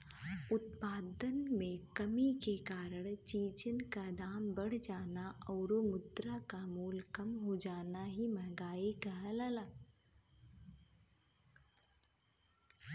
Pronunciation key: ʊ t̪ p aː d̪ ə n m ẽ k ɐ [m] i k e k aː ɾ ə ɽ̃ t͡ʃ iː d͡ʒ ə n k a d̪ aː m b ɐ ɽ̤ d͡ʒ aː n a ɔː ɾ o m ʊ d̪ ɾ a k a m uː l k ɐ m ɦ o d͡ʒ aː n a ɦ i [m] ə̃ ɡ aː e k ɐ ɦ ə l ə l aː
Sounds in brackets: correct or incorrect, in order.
correct, correct

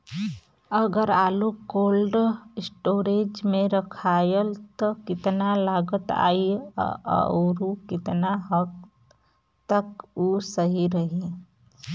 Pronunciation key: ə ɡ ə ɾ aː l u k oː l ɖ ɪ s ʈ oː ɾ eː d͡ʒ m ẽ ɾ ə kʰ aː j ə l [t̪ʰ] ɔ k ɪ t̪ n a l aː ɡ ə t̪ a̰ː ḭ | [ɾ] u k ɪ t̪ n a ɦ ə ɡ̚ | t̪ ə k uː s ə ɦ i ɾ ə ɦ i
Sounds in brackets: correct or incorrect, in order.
incorrect: t̪, correct

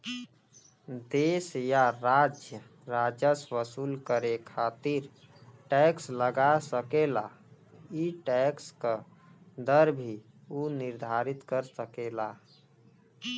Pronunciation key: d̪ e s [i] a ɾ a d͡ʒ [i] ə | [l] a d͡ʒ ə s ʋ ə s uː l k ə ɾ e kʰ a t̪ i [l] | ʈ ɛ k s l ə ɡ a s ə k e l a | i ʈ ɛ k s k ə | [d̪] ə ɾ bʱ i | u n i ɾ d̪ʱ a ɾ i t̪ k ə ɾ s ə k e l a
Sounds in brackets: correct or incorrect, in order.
incorrect: j, incorrect: j, incorrect: ɾ, incorrect: ɾ, correct

